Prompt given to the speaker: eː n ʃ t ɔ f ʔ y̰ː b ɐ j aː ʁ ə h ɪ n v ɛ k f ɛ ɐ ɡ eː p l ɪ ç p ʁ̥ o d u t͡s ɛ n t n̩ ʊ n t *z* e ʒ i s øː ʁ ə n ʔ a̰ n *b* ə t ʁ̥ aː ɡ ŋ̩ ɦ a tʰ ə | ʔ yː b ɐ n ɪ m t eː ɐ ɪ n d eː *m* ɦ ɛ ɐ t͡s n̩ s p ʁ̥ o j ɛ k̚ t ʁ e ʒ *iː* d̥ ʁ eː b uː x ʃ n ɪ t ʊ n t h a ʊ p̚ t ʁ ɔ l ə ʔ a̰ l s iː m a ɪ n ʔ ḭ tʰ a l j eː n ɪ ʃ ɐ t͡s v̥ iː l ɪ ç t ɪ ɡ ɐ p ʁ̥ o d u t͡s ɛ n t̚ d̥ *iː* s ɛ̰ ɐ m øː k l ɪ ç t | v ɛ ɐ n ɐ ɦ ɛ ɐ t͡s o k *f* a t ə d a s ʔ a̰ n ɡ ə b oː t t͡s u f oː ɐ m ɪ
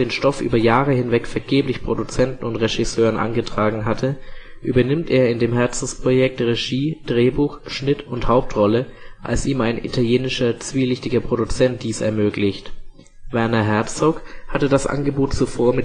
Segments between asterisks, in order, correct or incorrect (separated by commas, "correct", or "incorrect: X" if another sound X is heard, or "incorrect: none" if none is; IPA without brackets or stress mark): incorrect: ʁ, incorrect: ɡ, correct, correct, correct, incorrect: h